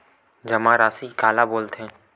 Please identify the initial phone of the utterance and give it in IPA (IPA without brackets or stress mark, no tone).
d͡ʒ